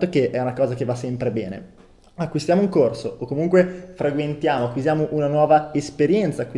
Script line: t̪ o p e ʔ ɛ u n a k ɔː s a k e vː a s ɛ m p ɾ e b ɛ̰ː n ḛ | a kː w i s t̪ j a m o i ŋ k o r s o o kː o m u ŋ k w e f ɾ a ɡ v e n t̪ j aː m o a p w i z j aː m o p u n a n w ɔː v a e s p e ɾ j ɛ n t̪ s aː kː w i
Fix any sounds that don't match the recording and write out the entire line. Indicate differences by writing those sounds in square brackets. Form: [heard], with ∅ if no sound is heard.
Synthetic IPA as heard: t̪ o [k] e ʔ ɛ u n a k ɔː [z] a k e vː a s ɛ m p ɾ e b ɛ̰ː n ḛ | a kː w i s t̪ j a m o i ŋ k o r s o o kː o m u ŋ k w e f ɾ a ɡ [w] e n t̪ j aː m o a [k] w i z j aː m o [ʔ] u n a n w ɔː v a e s p e ɾ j ɛ n t̪ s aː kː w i